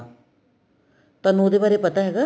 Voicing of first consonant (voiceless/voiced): voiceless